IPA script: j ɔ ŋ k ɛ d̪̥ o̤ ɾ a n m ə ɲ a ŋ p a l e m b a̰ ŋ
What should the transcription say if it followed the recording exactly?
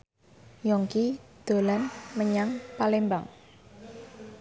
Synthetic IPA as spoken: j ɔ ŋ k i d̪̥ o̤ l a n m ə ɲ a ŋ p a l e m b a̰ ŋ